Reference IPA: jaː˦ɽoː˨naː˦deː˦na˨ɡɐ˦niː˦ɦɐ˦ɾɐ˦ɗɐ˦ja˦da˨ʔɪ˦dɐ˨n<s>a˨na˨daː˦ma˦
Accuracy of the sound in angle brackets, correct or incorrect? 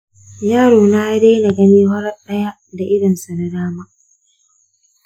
correct